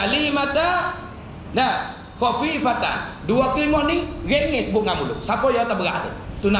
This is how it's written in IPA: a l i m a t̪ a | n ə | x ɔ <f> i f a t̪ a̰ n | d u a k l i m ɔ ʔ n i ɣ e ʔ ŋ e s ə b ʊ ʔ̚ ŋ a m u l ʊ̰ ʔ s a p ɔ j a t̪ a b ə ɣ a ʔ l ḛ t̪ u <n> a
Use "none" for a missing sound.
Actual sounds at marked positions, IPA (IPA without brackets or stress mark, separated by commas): f, n